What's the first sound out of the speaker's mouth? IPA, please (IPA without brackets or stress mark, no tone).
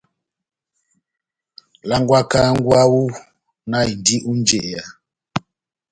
l